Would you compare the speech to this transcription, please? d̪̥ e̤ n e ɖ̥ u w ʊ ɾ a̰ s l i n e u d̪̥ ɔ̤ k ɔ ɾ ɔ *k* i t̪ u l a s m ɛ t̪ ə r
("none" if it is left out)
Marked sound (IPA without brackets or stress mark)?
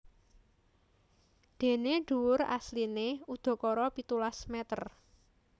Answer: p